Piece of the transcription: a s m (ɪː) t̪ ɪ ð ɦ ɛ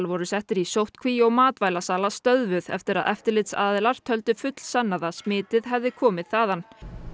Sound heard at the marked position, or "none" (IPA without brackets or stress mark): ɪː